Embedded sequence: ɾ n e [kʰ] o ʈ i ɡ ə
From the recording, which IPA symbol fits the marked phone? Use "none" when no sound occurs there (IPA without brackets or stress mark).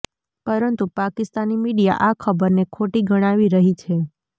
kʰ